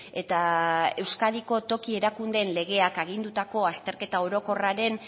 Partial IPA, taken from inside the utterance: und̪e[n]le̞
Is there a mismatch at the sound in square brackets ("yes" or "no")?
no